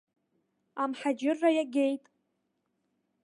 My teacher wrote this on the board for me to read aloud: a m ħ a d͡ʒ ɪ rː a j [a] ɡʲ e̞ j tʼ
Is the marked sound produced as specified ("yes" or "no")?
yes